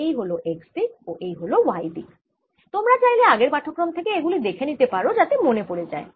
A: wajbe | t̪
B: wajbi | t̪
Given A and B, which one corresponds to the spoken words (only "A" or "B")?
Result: B